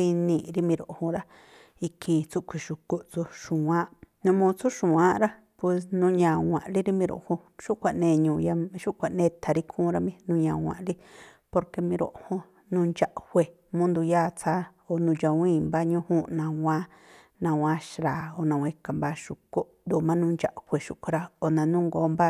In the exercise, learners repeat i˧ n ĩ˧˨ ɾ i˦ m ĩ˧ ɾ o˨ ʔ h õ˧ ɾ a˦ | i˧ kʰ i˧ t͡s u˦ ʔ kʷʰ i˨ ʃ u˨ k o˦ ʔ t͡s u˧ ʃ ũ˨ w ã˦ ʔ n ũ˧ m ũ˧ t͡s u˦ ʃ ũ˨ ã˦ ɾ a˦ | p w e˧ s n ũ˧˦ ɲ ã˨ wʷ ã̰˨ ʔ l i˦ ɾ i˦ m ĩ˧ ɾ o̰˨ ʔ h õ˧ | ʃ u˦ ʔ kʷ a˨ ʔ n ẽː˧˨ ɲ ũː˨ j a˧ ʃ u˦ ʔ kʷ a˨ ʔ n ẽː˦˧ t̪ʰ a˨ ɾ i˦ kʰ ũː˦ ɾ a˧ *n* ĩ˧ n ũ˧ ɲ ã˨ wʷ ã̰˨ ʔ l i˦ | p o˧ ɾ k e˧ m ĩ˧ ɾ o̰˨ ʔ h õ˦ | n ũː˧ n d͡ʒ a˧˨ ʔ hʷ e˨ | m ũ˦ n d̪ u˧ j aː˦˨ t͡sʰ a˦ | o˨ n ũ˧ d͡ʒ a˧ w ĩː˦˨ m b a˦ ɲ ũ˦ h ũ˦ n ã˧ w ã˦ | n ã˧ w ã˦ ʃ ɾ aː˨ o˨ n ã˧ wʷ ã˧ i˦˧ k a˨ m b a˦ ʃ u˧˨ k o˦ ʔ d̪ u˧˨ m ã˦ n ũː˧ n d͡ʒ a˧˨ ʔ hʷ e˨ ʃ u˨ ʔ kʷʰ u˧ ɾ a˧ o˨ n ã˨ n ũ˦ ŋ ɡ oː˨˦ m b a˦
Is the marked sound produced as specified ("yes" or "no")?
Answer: no